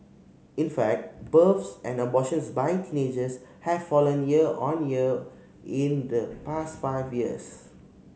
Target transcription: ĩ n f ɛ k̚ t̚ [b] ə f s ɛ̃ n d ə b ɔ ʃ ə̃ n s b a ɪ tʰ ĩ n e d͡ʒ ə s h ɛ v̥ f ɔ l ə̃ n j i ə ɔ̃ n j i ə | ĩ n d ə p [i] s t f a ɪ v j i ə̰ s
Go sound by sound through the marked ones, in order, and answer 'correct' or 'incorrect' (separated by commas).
correct, incorrect